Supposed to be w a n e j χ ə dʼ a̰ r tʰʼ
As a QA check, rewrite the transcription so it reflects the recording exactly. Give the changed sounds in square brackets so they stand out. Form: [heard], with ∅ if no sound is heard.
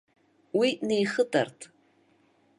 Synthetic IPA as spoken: w [i] n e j χ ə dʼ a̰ r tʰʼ